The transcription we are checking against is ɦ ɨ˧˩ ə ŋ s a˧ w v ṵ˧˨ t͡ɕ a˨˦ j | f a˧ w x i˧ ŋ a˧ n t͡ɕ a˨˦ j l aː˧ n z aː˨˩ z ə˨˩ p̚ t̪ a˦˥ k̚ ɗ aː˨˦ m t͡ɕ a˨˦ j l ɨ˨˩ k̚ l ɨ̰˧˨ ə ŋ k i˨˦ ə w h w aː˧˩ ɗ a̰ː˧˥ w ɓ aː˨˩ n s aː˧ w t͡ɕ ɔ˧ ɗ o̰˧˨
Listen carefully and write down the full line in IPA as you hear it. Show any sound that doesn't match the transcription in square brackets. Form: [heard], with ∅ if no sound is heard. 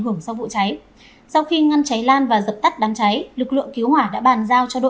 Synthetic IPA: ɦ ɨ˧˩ ə ŋ s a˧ w v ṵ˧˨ t͡ɕ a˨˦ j | [s] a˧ w x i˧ ŋ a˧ n t͡ɕ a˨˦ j l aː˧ n [v] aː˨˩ z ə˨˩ p̚ t̪ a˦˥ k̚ ɗ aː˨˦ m t͡ɕ a˨˦ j l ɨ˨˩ k̚ l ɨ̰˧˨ ə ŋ k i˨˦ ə w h w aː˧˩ ɗ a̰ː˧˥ [∅] ɓ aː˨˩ n [z] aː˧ w t͡ɕ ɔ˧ ɗ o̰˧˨